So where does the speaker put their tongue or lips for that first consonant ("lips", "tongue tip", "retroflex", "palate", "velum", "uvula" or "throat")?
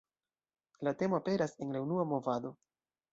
tongue tip